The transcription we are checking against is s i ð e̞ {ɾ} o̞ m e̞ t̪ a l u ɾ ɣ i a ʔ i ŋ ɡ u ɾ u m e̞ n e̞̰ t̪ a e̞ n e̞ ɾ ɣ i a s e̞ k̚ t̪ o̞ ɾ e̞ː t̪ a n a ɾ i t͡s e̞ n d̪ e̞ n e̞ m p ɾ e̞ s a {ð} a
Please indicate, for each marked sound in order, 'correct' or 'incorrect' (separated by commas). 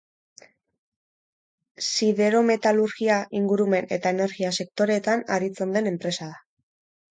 correct, correct